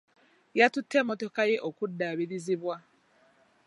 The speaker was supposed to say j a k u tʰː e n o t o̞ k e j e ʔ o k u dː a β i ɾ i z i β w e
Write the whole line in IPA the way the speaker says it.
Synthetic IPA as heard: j a t u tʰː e m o t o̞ k a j e ʔ o k u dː a β i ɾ i z i β w a